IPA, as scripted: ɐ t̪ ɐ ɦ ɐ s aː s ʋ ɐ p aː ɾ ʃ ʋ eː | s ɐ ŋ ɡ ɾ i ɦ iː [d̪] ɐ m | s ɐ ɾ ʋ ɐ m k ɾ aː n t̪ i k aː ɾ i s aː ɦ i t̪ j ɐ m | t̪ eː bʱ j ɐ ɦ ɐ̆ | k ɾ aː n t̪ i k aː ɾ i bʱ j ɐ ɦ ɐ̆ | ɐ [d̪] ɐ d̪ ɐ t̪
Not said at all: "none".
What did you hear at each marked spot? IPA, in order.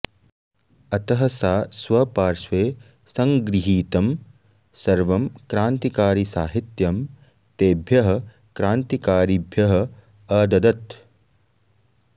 t̪, d̪

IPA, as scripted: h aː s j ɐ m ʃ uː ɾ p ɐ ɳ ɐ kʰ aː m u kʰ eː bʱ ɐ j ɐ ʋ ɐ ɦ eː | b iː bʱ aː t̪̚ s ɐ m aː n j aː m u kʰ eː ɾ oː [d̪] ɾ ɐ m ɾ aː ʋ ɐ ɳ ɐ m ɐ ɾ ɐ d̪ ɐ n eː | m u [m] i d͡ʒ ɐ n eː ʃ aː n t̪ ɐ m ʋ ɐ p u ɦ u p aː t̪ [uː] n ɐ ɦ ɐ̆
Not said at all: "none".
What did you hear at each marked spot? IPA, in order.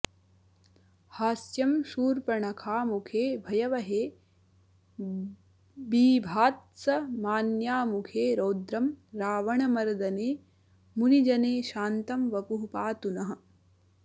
d̪, n, u

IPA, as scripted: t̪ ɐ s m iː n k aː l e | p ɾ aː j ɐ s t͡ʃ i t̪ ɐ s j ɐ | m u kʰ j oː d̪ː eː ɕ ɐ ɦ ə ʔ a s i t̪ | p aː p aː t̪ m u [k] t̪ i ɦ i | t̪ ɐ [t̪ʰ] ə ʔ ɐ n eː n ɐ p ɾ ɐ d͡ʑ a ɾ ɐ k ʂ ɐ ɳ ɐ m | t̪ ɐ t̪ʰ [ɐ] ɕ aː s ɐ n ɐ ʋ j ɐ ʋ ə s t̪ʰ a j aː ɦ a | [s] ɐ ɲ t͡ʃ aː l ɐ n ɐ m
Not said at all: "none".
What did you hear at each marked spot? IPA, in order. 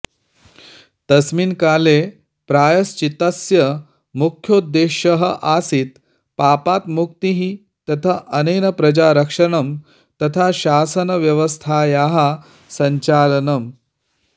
k, t̪ʰ, a, s

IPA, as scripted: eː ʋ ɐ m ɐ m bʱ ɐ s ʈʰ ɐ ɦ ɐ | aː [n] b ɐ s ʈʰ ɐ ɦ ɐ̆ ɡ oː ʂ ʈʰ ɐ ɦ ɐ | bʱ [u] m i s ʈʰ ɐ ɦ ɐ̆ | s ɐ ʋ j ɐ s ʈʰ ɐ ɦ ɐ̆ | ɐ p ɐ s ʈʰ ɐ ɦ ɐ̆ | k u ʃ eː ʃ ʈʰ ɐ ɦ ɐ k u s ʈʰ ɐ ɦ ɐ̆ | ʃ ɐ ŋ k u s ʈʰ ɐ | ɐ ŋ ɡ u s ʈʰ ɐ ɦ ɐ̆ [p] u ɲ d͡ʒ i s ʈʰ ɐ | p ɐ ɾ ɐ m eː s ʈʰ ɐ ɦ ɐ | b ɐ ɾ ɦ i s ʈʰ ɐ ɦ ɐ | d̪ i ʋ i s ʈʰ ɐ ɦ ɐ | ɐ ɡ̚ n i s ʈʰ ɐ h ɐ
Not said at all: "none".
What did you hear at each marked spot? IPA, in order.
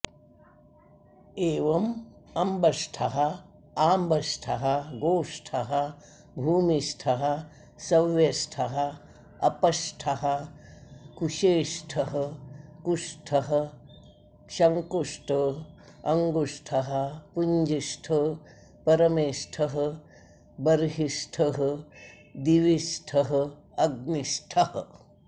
m, uː, p

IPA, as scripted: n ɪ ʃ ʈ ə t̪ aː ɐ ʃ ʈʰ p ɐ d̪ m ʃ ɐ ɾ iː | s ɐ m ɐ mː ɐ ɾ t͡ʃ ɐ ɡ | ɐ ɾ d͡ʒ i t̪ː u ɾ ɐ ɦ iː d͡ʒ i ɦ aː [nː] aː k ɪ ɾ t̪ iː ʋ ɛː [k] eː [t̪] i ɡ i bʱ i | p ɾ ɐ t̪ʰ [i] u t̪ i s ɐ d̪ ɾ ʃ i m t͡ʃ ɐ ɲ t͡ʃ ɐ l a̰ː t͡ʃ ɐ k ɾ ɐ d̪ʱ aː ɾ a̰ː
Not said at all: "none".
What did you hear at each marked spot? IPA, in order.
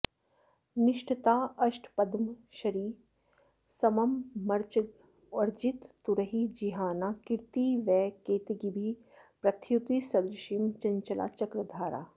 n, k, t̪, j

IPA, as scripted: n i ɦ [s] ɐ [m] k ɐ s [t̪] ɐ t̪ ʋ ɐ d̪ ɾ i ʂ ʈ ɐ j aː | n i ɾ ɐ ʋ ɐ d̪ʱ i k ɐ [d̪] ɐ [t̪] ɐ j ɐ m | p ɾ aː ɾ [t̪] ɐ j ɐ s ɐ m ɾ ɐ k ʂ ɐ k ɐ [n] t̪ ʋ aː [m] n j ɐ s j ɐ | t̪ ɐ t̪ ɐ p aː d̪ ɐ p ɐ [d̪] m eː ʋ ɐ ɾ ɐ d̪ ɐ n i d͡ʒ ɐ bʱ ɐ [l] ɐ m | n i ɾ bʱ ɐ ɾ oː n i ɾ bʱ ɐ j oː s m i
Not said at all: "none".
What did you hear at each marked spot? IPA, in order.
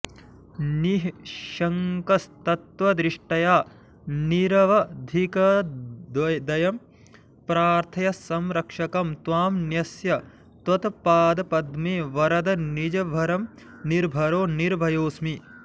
ʃ, ŋ, t̪, d̪, d̪, t̪ʰ, m, m, d̪, ɾ

